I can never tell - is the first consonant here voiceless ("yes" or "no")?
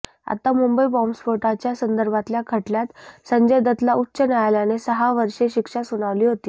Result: yes